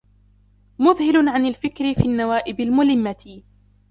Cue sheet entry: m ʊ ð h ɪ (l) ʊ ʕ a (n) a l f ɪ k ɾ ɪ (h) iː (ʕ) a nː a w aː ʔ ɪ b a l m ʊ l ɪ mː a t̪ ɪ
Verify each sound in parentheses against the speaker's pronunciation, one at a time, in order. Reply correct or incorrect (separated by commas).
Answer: correct, correct, incorrect, incorrect